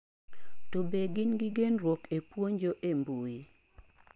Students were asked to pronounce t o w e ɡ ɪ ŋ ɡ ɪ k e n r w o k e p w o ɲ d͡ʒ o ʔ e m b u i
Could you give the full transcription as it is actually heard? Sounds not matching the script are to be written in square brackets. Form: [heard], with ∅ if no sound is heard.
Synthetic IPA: t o [b] e ɡ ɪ [n] ɡ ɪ [ɡ] e n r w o k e p w o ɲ d͡ʒ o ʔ e m b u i